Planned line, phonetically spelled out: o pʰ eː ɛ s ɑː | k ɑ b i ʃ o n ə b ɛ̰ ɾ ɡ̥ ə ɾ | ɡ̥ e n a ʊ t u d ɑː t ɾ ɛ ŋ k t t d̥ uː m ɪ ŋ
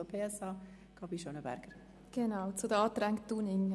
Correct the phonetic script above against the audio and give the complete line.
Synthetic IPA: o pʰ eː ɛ s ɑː | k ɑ b i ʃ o n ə b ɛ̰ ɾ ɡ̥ ə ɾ | ɡ̥ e n a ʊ t͡s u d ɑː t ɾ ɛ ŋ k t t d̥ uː n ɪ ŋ